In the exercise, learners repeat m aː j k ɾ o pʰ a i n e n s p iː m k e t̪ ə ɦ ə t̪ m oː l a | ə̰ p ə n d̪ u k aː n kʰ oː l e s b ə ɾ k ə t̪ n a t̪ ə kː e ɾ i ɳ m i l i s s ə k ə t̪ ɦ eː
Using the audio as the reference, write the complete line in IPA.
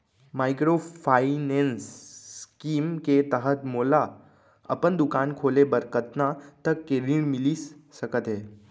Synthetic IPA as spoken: m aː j k ɾ o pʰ a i n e n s k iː m k e t̪ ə ɦ ə t̪ m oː l a | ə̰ p ə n d̪ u k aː n kʰ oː l e b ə ɾ k ə t̪ n a t̪ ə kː e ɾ i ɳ m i l i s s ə k ə t̪ ɦ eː